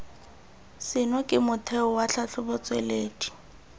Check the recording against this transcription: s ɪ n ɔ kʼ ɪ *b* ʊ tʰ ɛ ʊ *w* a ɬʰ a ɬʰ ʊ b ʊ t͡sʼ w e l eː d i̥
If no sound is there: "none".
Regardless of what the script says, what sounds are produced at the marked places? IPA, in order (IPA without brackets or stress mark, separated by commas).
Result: m, w